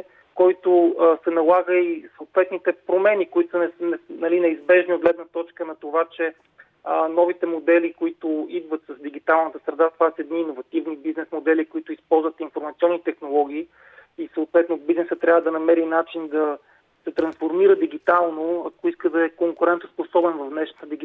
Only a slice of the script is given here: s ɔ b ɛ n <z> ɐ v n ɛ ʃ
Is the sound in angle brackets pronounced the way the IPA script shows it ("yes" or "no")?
no